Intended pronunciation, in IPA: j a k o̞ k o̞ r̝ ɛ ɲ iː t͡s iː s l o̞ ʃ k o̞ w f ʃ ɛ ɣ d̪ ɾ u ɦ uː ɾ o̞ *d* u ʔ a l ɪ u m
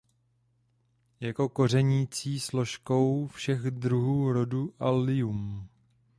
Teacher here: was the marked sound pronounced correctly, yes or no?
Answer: yes